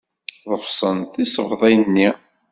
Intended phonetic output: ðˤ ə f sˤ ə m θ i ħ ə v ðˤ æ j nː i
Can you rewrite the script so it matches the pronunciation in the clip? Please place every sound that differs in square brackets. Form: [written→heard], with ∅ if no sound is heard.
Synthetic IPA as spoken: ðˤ ə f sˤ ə [m→n] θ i [ħ→s] ə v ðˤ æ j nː i

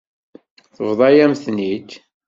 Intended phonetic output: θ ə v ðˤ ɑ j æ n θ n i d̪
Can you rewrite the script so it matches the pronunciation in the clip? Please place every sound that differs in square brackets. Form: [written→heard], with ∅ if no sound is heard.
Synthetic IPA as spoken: θ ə v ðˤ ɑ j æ [n→m] θ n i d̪

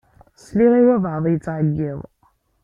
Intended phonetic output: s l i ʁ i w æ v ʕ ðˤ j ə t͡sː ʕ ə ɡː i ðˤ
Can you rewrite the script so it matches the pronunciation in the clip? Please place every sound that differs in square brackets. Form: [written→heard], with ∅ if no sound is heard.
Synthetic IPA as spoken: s l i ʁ i w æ v ʕ ðˤ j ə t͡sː ʕ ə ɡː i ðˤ

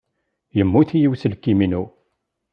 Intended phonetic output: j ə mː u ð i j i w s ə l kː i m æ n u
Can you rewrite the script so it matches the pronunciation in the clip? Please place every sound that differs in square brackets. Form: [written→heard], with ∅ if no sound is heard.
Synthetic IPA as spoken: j ə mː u [ð→θ] i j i w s ə l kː i m [æ→i] n u

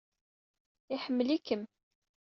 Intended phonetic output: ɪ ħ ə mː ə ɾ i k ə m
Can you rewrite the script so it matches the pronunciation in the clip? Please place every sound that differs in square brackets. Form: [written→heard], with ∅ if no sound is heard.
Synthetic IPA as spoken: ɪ ħ ə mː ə [ɾ→l] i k ə m

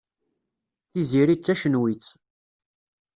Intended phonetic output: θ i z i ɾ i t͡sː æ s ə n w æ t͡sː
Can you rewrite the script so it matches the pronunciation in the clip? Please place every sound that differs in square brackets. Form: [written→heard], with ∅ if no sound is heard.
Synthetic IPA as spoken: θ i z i ɾ i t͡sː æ [s→ʃ] ə n w [æ→i] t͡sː

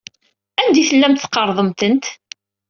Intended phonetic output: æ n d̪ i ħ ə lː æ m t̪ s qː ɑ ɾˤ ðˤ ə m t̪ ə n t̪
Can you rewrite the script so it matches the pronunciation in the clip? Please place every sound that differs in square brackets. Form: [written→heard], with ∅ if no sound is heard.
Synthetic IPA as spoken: æ n d̪ i [ħ→θ] ə lː æ m t̪ [s→θ] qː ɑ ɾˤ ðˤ ə m t̪ ə n t̪

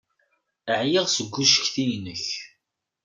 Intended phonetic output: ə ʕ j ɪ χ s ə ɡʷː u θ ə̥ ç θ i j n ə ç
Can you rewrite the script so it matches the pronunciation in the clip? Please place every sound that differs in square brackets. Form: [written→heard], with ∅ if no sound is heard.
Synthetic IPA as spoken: ə ʕ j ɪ [χ→ʁ] s ə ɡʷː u [θ→ʃ] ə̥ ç θ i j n ə ç

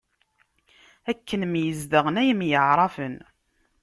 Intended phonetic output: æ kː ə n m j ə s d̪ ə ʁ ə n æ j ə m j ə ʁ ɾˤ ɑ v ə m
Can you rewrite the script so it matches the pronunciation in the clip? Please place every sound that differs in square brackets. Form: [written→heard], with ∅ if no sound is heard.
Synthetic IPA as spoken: æ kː ə n m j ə [s→z] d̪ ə ʁ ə n æ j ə m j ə [ʁ→ʕ] ɾˤ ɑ [v→f] ə [m→n]

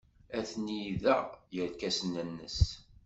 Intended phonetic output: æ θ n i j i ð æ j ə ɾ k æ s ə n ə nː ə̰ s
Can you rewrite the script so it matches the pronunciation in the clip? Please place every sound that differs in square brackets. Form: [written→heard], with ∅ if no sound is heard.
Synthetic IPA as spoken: æ θ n i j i ð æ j ə ɾ k æ s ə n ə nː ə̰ s

